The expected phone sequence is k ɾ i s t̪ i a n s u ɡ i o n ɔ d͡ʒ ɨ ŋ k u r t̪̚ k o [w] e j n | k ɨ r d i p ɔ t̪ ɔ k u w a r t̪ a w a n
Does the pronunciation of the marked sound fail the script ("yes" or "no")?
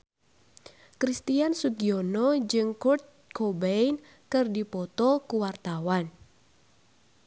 yes